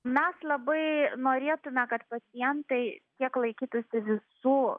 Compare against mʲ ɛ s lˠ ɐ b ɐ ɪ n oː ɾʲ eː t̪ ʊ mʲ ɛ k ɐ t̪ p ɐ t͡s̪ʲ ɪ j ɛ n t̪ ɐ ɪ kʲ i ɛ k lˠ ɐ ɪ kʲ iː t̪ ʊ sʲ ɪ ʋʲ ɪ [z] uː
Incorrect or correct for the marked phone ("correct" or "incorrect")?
incorrect